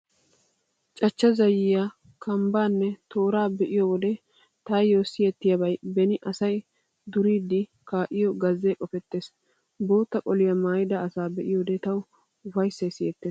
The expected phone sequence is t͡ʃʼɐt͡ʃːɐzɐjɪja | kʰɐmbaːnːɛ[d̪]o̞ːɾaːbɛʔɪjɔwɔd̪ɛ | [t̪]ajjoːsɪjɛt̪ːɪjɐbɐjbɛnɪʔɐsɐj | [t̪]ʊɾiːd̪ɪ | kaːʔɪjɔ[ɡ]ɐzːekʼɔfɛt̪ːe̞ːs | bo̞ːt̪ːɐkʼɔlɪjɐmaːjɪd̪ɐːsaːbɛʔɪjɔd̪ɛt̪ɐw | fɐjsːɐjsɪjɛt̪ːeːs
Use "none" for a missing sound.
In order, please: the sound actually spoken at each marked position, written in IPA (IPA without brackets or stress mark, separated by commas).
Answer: t̪, t̪, d̪, ɡ